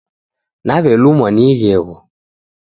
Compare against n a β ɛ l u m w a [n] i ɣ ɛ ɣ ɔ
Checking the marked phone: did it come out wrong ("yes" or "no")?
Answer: no